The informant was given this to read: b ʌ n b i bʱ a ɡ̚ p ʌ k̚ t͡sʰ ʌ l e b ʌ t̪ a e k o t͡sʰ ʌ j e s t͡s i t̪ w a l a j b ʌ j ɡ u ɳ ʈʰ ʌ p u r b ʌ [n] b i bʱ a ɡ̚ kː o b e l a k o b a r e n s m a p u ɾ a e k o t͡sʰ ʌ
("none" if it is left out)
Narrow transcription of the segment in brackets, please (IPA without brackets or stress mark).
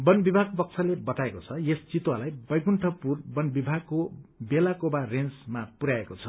n